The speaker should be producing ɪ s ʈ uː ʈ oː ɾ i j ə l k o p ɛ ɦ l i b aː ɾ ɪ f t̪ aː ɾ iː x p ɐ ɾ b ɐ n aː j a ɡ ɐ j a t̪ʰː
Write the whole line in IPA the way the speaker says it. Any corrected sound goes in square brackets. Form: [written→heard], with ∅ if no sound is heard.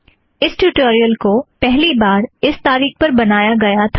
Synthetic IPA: ɪ s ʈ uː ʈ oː ɾ i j ə l k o p ɛ ɦ l i b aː ɾ ɪ [f→s] t̪ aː ɾ iː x p ɐ ɾ b ɐ n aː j a ɡ ɐ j a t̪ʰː